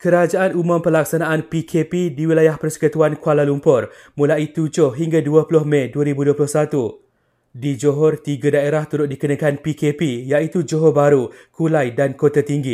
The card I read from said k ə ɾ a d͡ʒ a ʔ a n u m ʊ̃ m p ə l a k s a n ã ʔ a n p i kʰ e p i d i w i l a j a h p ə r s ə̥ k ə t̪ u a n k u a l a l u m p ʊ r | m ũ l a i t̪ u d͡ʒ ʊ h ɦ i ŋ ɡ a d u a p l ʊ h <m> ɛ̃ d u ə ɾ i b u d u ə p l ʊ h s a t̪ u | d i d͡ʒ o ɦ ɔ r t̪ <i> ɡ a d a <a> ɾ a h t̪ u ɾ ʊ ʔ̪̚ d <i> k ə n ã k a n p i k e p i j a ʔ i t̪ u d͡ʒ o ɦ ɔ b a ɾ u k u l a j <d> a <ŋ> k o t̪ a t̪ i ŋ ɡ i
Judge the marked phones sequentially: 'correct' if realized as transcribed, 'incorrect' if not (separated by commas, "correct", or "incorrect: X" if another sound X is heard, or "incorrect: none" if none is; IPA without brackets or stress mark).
correct, correct, incorrect: e, correct, correct, incorrect: n